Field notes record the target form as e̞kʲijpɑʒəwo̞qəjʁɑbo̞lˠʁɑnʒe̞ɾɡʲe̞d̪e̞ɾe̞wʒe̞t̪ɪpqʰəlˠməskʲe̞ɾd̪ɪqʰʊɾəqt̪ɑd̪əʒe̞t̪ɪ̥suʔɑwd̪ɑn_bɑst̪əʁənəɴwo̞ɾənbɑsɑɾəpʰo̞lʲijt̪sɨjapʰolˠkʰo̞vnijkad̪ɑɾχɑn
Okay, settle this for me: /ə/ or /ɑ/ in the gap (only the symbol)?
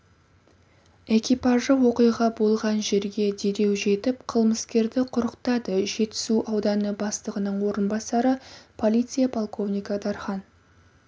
ə